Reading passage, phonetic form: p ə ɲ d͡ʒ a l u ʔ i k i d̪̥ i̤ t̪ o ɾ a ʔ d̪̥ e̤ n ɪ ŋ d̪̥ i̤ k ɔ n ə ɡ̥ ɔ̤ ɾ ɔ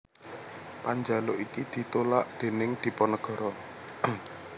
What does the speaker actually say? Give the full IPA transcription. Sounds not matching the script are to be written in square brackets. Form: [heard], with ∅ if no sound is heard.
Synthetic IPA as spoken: p [a] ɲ d͡ʒ a l [o] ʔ i k i d̪̥ i̤ t̪ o [l] a ʔ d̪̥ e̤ n ɪ ŋ d̪̥ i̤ [p] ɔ n ə ɡ̥ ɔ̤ ɾ ɔ

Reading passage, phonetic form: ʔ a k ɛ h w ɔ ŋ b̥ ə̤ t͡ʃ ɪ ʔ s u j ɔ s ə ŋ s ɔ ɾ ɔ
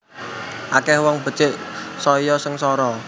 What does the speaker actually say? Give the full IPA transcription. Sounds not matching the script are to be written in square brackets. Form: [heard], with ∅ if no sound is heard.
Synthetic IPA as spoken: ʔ a k ɛ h w ɔ ŋ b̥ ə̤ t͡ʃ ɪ ʔ s [ɔ] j ɔ s ə ŋ s ɔ ɾ ɔ

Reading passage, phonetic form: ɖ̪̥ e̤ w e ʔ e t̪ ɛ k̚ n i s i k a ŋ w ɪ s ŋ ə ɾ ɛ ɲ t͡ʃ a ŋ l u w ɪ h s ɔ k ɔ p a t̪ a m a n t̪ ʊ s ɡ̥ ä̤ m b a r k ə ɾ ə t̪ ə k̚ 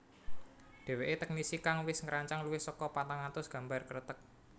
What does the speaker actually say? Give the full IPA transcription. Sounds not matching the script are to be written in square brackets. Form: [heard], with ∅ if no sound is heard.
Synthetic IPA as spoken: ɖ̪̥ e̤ w e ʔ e t̪ ɛ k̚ n i s i k a ŋ w ɪ s ŋ ə ɾ [a] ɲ t͡ʃ a ŋ l u w ɪ h s ɔ k ɔ p a t̪ a [ŋ] a n t̪ ʊ s ɡ̥ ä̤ m b a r k ə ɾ ə t̪ ə k̚

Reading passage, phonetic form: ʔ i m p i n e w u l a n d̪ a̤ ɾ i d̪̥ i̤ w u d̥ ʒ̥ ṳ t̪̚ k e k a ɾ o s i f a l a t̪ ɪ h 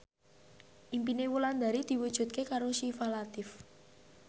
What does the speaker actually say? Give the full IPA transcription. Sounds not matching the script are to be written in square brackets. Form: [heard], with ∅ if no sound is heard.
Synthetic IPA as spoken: ʔ i m p i n e w u l a n d̪ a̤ ɾ i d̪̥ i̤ w u d̥ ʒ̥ ṳ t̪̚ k e k a ɾ o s i f a l a t̪ ɪ [f]

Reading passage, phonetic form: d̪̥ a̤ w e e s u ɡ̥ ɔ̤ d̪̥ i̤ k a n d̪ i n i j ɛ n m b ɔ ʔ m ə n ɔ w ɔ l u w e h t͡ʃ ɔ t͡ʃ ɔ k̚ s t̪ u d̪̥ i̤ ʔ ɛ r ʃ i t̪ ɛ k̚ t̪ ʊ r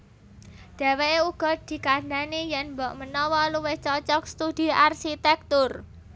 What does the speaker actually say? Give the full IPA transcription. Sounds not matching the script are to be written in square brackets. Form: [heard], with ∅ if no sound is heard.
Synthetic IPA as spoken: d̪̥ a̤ w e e [∅] u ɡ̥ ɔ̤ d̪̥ i̤ k a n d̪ [a] n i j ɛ n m b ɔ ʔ m ə n ɔ w ɔ l u w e h t͡ʃ ɔ t͡ʃ ɔ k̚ s t̪ u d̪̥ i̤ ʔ [a] r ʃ i t̪ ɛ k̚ t̪ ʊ r

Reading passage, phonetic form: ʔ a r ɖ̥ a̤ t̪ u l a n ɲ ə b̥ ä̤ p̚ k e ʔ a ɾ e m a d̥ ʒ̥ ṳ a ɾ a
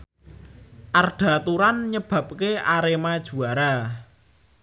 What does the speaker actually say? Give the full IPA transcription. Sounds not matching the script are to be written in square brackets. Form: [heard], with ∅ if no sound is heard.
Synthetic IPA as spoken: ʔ a r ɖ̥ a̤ t̪ u [ɾ] a n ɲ ə b̥ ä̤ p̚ k e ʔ a ɾ e m a d̥ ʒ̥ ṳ a ɾ a

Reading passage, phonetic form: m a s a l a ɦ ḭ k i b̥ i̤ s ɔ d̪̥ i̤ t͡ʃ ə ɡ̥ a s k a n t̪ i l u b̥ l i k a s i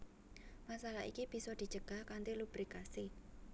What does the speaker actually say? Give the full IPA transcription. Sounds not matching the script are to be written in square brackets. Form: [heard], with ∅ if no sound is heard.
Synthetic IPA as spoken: m a s a l a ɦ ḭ k i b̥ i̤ s ɔ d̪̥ i̤ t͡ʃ ə ɡ̥ a [h] k a n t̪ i l u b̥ [ɾ] i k a s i

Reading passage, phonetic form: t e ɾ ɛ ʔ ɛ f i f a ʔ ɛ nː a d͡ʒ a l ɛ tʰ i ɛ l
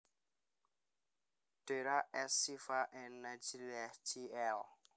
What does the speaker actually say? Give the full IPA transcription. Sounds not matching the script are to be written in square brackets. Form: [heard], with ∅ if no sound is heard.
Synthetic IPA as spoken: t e ɾ [a] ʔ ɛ [s] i f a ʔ ɛ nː a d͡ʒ [i] l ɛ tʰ i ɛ l

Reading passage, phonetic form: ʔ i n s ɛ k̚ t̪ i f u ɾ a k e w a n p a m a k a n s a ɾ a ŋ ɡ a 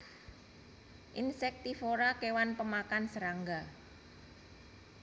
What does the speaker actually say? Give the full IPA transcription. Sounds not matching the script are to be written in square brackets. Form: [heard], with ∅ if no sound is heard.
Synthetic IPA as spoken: ʔ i n s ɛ k̚ t̪ i f [o] ɾ a k e w a n p [ə] m a k a n s [ə] ɾ a ŋ ɡ a

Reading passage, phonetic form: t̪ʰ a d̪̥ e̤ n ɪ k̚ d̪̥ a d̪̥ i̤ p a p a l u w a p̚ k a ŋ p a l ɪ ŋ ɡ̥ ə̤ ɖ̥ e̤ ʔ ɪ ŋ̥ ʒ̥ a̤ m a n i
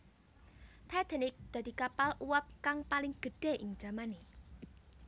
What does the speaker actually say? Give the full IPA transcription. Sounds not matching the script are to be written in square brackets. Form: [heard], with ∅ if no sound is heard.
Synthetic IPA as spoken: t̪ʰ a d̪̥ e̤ n ɪ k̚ d̪̥ a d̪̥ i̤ [k] a p a l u w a p̚ k a ŋ p a l ɪ ŋ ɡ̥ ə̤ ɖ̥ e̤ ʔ ɪ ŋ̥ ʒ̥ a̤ m a n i

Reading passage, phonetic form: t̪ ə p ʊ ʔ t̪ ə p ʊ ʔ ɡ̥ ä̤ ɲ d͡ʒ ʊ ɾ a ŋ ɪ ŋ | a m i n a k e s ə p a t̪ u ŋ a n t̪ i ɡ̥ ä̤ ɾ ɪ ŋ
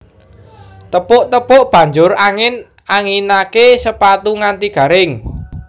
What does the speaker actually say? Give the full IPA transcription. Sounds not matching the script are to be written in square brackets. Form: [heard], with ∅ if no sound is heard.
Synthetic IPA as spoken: t̪ ə p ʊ ʔ t̪ ə p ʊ ʔ [b̥] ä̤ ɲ d͡ʒ ʊ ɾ a ŋ ɪ [n] | a [ŋ] i n a k e s ə p a t̪ u ŋ a n t̪ i ɡ̥ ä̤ ɾ ɪ ŋ

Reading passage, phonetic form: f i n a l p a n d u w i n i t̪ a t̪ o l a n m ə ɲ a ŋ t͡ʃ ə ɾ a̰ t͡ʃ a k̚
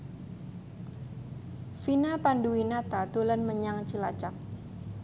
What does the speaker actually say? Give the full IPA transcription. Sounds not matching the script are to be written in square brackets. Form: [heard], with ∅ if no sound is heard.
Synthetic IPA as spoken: f i n a [∅] p a n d u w i n [a] t̪ a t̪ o l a n m ə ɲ a ŋ t͡ʃ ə [l] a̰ t͡ʃ a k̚

